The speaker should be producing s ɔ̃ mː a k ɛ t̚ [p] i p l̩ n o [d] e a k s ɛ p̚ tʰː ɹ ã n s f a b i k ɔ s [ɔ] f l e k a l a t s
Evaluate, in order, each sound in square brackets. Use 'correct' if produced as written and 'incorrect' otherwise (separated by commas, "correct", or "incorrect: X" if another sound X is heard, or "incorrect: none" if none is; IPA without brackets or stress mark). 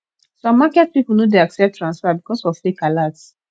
correct, correct, correct